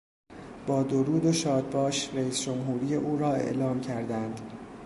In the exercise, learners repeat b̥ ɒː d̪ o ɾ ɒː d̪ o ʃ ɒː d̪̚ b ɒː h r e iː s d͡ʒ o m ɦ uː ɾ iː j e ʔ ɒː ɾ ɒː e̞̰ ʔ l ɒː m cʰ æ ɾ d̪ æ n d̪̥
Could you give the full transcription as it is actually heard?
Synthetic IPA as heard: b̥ ɒː d̪ o ɾ uː d̪ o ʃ ɒː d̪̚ b ɒː ʃ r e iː s d͡ʒ o m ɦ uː ɾ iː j e ʔ uː ɾ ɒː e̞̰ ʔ l ɒː m cʰ æ ɾ d̪ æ n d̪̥